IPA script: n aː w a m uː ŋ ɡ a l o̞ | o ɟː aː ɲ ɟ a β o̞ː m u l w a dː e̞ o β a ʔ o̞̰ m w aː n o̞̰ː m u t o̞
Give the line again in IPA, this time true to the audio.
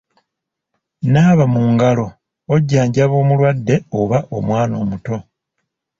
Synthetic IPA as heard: n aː β a m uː ŋ ɡ a l o̞ | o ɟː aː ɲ ɟ a β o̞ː m u l w a dː e̞ o β a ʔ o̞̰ m w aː n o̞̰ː m u t o̞